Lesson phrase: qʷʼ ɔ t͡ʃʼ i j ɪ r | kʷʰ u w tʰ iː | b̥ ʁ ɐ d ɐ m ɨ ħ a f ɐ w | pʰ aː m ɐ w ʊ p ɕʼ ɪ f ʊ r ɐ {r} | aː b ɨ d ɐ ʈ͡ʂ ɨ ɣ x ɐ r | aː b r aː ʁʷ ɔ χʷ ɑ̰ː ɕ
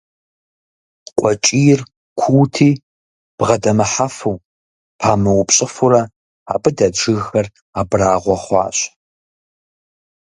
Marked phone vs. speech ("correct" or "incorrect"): incorrect